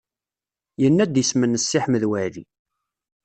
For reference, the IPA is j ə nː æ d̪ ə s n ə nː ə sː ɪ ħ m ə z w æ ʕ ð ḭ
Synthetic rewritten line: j ə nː æ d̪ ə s m ə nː ə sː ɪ ħ m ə ð w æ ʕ ð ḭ